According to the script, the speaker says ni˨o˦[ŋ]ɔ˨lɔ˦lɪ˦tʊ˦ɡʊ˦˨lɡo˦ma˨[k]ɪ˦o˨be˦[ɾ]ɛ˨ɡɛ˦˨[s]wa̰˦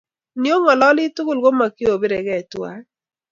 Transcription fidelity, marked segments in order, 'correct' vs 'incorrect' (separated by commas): correct, correct, correct, incorrect